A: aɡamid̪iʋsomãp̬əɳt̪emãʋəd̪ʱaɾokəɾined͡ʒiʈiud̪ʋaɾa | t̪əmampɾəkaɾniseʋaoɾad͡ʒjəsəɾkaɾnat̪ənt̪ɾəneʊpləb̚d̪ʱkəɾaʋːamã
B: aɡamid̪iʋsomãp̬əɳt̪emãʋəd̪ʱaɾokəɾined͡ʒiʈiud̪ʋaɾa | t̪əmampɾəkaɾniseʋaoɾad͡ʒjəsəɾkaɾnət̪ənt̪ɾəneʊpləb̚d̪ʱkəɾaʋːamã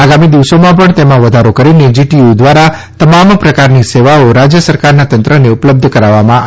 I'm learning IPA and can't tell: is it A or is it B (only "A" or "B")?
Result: A